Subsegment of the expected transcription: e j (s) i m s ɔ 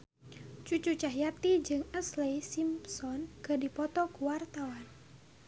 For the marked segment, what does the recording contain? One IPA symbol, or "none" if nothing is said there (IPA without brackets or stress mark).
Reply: s